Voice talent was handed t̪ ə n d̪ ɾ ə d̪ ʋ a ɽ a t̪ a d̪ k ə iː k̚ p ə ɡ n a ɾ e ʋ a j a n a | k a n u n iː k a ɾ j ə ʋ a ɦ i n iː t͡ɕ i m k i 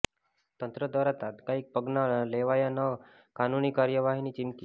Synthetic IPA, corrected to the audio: t̪ ə n t̪ ɾ ə d̪ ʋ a ɾ a t̪ a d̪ k a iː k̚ p ə ɡ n a l e ʋ a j a n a | k a n u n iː k a ɾ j ə ʋ a ɦ i n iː t͡ɕ i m k i

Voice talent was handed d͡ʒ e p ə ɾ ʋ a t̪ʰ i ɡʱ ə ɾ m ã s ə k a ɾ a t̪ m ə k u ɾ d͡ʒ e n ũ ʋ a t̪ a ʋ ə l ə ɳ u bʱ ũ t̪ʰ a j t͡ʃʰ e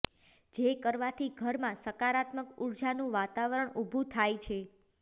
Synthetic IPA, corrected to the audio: d͡ʒ e k ə ɾ ʋ a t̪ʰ i ɡʱ ə ɾ m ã s ə k a ɾ a t̪ m ə k u ɾ d͡ʒ a n ũ ʋ a t̪ a ʋ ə ɾ ə ɳ u bʱ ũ t̪ʰ a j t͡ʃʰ e

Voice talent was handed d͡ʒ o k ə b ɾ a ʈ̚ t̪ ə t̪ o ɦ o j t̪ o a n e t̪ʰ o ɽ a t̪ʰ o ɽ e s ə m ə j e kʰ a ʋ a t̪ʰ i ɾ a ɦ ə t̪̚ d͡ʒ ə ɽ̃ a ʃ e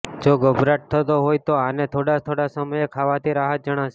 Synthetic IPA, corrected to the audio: d͡ʒ o ɡ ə b ɾ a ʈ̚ t̪ʰ ə t̪ o ɦ o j t̪ o a n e t̪ʰ o ɽ a t̪ʰ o ɽ a s ə m ə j e kʰ a ʋ a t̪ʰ i ɾ a ɦ ə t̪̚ d͡ʒ ə ɽ̃ a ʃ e

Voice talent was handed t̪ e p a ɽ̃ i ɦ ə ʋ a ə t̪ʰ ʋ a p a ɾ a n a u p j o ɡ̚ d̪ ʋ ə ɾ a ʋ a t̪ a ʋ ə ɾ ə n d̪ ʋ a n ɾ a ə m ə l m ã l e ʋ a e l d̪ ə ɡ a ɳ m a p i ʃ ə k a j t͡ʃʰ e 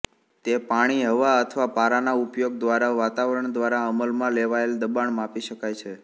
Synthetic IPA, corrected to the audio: t̪ e p a ɽ̃ i ɦ ə ʋ a ə t̪ʰ ʋ a p a ɾ a n a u p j o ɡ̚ d̪ ʋ a ɾ a ʋ a t̪ a ʋ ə ɾ ə ɳ d̪ ʋ a ɾ a ə m ə l m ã l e ʋ a e l d̪ ə b a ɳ m a p i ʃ ə k a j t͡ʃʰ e

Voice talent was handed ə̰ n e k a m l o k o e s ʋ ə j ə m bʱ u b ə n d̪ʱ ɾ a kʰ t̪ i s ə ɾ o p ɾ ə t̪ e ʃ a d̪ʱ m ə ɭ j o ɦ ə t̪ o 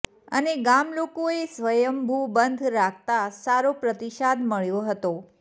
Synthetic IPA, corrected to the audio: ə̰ n e ɡ a m l o k o e s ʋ ə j ə m bʱ u b ə n d̪ʱ ɾ a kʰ t̪ a s a ɾ o p ɾ ə t̪ i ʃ a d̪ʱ m ə ɭ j o ɦ ə t̪ o

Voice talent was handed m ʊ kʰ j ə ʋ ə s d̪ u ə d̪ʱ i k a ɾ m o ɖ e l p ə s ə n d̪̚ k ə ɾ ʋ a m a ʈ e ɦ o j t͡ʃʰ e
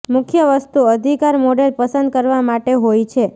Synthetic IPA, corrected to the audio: m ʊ kʰ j ə ʋ ə s t̪ u ə d̪ʱ i k a ɾ m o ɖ e l p ə s ə n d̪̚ k ə ɾ ʋ a m a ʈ e ɦ o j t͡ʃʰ e

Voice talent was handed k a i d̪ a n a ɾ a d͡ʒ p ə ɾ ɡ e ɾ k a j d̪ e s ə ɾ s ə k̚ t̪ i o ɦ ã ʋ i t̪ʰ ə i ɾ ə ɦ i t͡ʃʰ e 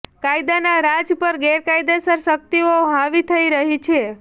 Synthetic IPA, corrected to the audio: k a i d̪ a n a ɾ a d͡ʒ p ə ɾ ɡ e ɾ k a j d̪ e s ə ɾ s ə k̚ t̪ i o ɦ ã ʋ i t̪ʰ ə i ɾ ə ɦ i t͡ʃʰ e

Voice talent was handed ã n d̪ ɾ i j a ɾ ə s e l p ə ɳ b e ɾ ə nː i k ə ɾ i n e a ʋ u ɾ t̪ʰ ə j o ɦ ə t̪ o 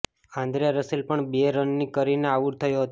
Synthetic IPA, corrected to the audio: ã n d̪ ɾ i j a ɾ ə s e l p ə ɳ b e ɾ ə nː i k ə ɾ i n e a ʋ u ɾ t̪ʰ ə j o ɦ ə t̪ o

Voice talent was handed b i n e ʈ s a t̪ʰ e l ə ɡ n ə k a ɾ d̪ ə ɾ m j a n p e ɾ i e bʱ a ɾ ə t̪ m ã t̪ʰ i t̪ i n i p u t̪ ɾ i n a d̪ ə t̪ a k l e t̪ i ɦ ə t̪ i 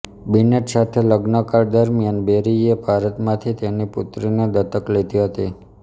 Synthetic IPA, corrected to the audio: b i n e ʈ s a t̪ʰ e l ə ɡ n ə k a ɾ d̪ ə ɾ m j a n b e ɾ i e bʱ a ɾ ə t̪ m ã t̪ʰ i t̪ e n i p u t̪ ɾ i n e d̪ ə t̪ ə k l e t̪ i ɦ ə t̪ i

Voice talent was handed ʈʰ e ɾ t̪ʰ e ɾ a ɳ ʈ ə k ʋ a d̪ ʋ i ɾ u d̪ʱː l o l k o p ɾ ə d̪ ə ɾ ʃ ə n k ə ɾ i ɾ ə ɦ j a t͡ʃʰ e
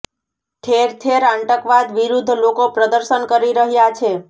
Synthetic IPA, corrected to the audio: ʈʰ e ɾ t̪ʰ e ɾ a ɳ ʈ ə k ʋ a d̪ ʋ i ɾ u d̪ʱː l o k o p ɾ ə d̪ ə ɾ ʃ ə n k ə ɾ i ɾ ə ɦ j a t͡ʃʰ e

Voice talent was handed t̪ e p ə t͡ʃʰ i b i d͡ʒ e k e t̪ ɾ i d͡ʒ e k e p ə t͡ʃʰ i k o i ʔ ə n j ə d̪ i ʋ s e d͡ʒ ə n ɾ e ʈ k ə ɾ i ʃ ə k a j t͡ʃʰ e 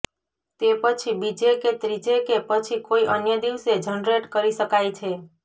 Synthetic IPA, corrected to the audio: t̪ e p ə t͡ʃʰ i b i d͡ʒ e k e t̪ ɾ i d͡ʒ e k e p ə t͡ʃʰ i k o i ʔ ə n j ə d̪ i ʋ s e d͡ʒ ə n ɾ e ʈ k ə ɾ i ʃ ə k a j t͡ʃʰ e

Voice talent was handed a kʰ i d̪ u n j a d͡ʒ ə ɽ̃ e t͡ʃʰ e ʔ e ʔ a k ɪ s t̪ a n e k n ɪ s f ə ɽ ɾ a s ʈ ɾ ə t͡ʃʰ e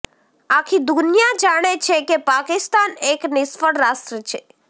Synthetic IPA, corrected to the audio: a kʰ i d̪ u n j a d͡ʒ a ɽ̃ e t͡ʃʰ e k e p a k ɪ s t̪ a n e k n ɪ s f ə ɽ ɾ a s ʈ ɾ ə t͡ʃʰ e

